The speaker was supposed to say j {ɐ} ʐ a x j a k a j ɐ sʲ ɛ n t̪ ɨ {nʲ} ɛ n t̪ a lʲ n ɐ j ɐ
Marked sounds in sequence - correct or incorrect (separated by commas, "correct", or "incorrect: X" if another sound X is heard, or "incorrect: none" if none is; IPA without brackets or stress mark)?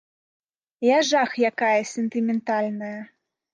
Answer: incorrect: a, incorrect: mʲ